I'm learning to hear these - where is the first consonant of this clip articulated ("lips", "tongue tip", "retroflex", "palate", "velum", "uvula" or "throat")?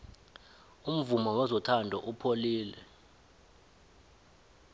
lips